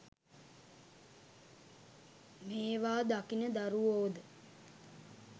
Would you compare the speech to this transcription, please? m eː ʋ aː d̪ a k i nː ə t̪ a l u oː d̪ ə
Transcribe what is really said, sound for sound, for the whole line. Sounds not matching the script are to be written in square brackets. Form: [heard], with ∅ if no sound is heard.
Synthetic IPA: m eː ʋ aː d̪ a k i [n] ə [d̪] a [ɾ] u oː d̪ ə